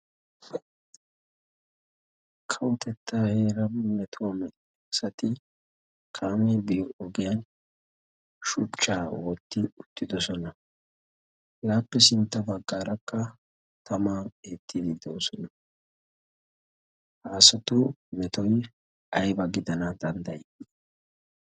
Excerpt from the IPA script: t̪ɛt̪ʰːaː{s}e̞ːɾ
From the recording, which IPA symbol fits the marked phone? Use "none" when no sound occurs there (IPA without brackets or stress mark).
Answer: h